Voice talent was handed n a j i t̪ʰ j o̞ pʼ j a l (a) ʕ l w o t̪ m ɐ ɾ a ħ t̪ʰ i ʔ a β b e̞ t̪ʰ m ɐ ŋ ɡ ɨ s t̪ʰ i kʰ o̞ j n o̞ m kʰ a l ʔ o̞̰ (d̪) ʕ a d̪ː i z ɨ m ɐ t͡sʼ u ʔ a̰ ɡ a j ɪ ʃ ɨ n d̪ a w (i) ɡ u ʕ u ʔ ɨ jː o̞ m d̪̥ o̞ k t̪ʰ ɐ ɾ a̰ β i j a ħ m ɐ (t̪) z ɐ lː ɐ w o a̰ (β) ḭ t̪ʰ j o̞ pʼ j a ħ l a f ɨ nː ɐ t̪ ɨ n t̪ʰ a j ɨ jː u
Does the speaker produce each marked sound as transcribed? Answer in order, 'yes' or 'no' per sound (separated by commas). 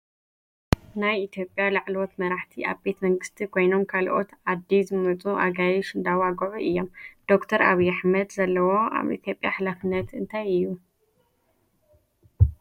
yes, no, no, no, yes